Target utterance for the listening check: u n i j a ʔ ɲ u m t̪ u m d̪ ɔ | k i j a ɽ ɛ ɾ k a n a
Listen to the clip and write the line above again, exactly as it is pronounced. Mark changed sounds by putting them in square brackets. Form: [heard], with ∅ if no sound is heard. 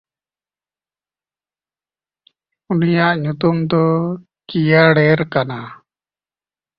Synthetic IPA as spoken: u n i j a ʔ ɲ u [∅] t̪ u m d̪ ɔ | k i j a ɽ ɛ ɾ k a n a